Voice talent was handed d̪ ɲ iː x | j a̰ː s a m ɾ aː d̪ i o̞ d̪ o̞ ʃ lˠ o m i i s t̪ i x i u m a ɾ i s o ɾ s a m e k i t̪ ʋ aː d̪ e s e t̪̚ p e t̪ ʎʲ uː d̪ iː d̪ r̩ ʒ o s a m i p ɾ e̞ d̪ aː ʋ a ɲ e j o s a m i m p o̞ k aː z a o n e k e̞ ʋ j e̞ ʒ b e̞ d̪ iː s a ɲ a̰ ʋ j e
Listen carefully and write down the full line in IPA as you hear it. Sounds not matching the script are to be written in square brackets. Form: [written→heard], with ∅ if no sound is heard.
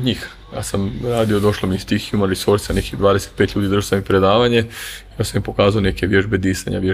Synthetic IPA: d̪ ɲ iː x | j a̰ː s a m ɾ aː d̪ i o̞ d̪ o̞ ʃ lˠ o m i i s t̪ i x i u m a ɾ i s o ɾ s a [m→n] e k i [t̪→d̪] ʋ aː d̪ e s e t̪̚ p e t̪ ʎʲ uː d̪ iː d̪ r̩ ʒ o s a m i p ɾ e̞ d̪ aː ʋ a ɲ e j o s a m i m p o̞ k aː z a o n e k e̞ ʋ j e̞ ʒ b e̞ d̪ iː s a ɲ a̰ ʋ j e